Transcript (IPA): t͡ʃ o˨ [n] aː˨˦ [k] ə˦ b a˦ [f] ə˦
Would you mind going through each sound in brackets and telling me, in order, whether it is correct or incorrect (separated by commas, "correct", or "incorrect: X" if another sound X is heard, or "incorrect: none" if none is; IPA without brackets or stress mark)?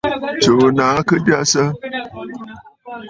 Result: correct, correct, incorrect: s